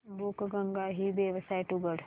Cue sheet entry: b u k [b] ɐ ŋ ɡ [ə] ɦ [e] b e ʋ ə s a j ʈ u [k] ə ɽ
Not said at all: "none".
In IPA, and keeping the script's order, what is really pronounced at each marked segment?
ɡ, a, i, ɡ

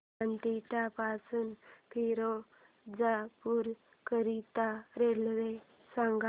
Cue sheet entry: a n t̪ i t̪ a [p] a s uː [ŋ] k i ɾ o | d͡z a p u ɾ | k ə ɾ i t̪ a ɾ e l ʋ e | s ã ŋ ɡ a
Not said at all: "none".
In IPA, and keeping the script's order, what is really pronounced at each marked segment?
p, n

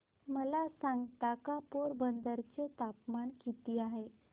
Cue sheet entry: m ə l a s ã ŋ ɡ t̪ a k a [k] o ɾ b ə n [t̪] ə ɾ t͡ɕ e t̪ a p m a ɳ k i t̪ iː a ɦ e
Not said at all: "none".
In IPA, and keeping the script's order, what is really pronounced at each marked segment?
p, d̪

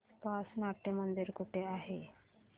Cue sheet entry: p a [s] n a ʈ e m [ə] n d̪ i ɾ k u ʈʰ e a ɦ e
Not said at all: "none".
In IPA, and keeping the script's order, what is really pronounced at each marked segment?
s, ə

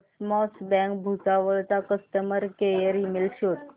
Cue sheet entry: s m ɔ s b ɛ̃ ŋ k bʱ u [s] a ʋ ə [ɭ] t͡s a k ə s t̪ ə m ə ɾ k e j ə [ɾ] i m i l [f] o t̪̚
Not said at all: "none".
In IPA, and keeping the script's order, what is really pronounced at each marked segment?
t͡s, ɭ, ɾ, ɕ

